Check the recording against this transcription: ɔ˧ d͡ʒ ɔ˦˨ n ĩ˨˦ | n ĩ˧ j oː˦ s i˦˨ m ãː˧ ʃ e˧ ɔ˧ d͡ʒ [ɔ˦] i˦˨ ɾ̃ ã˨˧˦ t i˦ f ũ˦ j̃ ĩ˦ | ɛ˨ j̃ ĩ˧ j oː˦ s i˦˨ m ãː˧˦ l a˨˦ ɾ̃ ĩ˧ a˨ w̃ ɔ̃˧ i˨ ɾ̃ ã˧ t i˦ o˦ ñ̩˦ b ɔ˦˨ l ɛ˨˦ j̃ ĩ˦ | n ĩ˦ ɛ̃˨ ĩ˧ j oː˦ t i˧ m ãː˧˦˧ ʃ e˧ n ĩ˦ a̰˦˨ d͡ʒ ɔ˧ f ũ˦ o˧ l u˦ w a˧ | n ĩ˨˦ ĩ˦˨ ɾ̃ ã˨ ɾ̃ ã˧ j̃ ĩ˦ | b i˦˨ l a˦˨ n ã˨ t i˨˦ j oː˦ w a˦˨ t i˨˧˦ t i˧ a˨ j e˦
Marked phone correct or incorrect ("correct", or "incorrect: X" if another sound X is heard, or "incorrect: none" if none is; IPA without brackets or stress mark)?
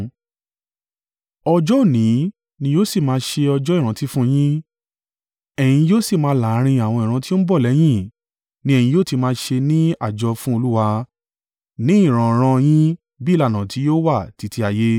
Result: correct